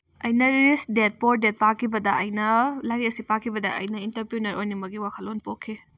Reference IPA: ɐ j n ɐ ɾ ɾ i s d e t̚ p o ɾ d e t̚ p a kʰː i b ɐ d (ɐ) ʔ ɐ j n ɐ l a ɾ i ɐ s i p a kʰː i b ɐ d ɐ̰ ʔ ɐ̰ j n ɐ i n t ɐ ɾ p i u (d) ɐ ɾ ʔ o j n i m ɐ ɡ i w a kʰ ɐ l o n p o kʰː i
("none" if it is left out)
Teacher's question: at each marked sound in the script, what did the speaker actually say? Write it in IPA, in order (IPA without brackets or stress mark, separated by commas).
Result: ɐ, n